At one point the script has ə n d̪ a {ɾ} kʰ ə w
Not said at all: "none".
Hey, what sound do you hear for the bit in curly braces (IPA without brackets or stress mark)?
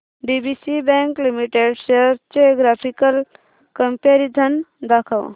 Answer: none